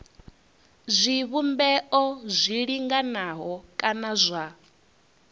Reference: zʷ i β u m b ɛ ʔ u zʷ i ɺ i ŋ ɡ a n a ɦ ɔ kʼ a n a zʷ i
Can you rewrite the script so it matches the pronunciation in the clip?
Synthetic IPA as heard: zʷ i β u m b ɛ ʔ ɔ zʷ i ɺ i ŋ ɡ a n a ɦ ɔ kʼ a n a zʷ a

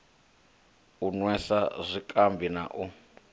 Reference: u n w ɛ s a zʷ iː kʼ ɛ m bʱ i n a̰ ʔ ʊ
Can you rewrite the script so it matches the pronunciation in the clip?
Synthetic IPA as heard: u n w ɛ s a zʷ i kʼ a m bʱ i n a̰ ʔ u

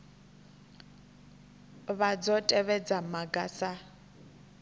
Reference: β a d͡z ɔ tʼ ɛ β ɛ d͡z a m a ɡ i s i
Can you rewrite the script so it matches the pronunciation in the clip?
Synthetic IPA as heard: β a d͡z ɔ tʼ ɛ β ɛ d͡z a m a ɡ a s a

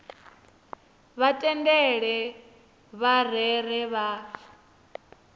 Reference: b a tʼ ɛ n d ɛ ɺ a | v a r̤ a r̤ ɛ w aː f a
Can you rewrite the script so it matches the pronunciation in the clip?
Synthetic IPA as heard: β a tʼ ɛ n d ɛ ɺ ɛ | β a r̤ ɛ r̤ ɛ β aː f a

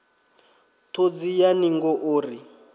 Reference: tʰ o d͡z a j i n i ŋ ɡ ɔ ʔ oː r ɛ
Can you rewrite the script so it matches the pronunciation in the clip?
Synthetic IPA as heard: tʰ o d͡z i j a n i ŋ ɡ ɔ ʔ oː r i

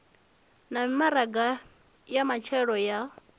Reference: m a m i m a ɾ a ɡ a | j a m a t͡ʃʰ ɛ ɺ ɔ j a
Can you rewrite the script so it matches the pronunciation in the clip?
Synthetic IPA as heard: n a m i m a ɾ a ɡ a | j a m a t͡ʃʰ ɛ ɺ ɔ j a

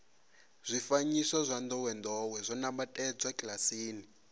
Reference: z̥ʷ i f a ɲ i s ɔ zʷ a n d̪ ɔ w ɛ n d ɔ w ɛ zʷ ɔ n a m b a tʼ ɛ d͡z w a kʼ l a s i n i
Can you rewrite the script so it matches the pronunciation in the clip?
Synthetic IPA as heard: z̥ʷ i f a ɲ i s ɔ zʷ a n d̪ ɔ w ɛ n d ɔ w ɛ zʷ ɔ n a m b a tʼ ɛ d͡z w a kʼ l a s iː n i

